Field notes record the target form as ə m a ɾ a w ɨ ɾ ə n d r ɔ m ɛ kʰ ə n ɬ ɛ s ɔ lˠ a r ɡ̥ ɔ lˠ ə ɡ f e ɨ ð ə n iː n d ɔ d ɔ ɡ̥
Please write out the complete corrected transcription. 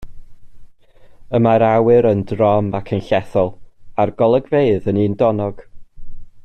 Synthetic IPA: ə m a ɾ a w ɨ ɾ ə n d r ɔ m a kʰ ə n ɬ ɛ θ ɔ lˠ a r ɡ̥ ɔ lˠ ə ɡ v e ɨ ð ə n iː n d ɔ n ɔ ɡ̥